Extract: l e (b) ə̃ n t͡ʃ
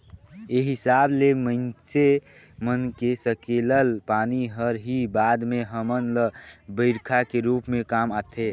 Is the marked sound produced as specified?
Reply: no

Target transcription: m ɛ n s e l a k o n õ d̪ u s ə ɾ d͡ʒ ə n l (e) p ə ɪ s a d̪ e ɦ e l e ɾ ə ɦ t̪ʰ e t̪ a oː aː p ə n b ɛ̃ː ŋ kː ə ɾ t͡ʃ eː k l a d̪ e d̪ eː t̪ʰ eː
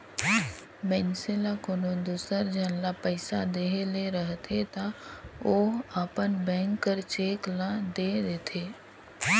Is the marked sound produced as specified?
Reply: no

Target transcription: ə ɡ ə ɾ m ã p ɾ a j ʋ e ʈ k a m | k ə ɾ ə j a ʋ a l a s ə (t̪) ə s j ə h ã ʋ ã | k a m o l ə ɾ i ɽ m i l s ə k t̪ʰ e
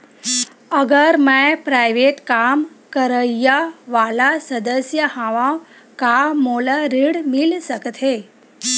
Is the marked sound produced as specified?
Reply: no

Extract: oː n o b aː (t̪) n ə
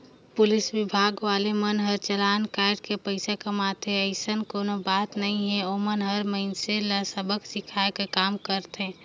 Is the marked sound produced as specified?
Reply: yes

